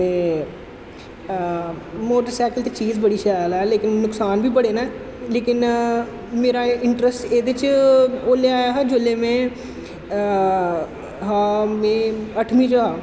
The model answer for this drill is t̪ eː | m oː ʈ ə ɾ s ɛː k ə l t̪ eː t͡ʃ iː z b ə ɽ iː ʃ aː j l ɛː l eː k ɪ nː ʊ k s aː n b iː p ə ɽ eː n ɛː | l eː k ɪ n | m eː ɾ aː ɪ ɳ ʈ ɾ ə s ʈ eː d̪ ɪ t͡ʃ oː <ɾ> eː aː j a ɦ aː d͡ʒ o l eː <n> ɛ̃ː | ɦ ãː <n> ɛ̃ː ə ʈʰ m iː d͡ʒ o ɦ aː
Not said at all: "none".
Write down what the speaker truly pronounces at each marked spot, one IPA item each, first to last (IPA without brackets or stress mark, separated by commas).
l, m, m